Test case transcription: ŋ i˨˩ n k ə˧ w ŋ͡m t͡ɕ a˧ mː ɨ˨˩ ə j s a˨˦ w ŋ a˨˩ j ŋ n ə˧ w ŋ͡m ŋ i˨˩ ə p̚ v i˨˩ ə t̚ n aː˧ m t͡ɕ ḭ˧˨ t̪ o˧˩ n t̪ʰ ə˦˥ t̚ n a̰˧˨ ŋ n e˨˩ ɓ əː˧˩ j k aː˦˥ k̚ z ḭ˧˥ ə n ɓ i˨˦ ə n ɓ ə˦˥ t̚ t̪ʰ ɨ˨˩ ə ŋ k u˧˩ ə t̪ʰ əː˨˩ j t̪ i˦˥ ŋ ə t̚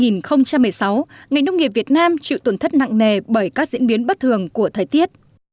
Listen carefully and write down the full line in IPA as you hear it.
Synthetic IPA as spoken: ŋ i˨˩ n x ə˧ w ŋ͡m t͡ɕ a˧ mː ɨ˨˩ ə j s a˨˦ w ŋ a˨˩ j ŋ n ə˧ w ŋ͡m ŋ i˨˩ ə p̚ v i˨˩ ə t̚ n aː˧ m t͡ɕ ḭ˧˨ t̪ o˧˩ n t̪ʰ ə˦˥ t̚ n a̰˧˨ ŋ n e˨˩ ɓ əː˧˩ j k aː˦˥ k̚ z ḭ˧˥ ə n ɓ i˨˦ ə n ɓ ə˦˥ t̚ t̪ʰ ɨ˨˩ ə ŋ k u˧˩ ə t̪ʰ əː˨˩ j t̪ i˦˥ ə t̚

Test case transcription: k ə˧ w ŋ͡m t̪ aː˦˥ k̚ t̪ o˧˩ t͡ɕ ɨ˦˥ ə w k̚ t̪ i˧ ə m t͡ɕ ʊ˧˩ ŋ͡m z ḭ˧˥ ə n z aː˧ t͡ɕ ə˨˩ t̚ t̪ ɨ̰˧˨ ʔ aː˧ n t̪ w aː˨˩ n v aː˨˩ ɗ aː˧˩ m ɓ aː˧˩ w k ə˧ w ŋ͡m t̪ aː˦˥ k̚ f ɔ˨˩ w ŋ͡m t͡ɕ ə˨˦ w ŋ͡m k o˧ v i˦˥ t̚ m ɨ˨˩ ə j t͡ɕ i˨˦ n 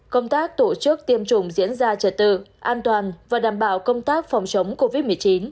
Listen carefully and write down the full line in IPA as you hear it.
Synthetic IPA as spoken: k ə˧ w ŋ͡m t̪ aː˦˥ k̚ t̪ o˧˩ t͡ɕ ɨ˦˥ ə k̚ t̪ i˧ ə m t͡ɕ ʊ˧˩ ŋ͡m z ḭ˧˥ ə n z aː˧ t͡ɕ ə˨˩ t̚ t̪ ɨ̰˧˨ ʔ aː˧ n t̪ w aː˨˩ n v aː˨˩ ɗ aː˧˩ m ɓ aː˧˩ w k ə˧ w ŋ͡m t̪ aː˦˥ k̚ f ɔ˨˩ w ŋ͡m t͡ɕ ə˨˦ w ŋ͡m k o˧ v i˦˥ t̚ m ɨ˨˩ ə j t͡ɕ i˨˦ n

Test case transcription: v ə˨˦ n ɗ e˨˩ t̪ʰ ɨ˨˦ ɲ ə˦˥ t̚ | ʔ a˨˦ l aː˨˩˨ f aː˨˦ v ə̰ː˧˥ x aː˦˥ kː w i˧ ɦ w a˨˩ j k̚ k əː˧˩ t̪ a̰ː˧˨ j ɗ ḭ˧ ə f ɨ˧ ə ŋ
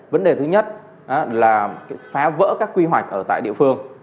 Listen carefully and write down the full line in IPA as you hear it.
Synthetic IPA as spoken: v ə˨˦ n ɗ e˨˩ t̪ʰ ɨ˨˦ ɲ ə˦˥ t̚ | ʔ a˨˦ l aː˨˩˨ f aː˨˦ v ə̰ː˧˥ k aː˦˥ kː w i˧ ɦ w a˨˩ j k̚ ʔ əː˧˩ t̪ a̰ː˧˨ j ɗ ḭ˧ ə f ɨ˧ ə ŋ

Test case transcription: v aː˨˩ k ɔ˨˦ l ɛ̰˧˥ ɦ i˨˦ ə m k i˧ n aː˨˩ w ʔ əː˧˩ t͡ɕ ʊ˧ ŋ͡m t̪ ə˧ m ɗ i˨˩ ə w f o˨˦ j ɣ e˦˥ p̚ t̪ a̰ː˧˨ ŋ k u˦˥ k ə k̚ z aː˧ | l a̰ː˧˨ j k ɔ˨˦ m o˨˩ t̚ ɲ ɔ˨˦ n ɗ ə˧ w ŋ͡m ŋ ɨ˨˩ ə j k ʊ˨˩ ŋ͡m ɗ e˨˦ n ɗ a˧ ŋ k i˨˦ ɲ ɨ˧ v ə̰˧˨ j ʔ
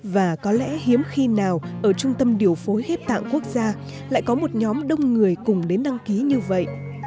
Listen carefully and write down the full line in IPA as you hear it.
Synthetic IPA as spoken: v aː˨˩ k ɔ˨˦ l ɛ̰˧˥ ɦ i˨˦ ə m x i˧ n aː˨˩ w ʔ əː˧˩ t͡ɕ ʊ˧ ŋ͡m t̪ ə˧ m ɗ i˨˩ ə w f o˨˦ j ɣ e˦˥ p̚ t̪ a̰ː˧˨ ŋ k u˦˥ ə k̚ z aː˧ | l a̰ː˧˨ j k ɔ˨˦ m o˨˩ t̚ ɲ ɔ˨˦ m ɗ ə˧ w ŋ͡m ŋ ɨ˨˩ ə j k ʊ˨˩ ŋ͡m ɗ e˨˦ n ɗ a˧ ŋ k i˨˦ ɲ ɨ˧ v ə̰˧˨ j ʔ

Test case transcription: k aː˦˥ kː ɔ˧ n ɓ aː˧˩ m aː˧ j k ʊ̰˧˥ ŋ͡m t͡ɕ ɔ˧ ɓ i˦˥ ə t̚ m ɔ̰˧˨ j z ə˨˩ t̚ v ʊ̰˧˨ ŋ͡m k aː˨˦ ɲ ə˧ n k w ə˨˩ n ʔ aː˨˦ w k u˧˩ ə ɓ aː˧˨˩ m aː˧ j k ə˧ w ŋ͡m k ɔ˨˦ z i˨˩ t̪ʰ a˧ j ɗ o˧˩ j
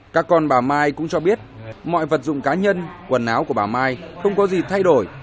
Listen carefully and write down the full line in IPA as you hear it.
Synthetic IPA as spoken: k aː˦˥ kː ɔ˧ n ɓ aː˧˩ m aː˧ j k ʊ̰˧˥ ŋ͡m t͡ɕ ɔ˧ ɓ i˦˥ ə t̚ m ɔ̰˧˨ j v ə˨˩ t̚ z ʊ̰˧˨ ŋ͡m k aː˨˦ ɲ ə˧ n k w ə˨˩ n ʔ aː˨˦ w k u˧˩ ə ɓ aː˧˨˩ m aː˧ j x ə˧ w ŋ͡m k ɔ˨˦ z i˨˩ t̪ʰ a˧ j ɗ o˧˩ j

